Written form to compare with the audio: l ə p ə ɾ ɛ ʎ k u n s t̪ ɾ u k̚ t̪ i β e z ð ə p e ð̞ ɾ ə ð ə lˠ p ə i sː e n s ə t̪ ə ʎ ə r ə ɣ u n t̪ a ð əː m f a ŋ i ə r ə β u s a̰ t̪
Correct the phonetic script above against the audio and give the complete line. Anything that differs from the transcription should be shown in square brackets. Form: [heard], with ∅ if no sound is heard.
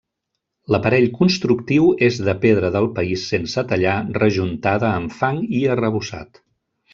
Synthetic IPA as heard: l ə p ə ɾ ɛ ʎ k u n s t̪ ɾ u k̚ t̪ i [w] e z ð ə p e ð̞ ɾ ə ð ə lˠ p ə i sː e n s ə t̪ ə ʎ [a] r ə [ʒ] u n t̪ a ð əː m f a ŋ i ə r ə β u s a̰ t̪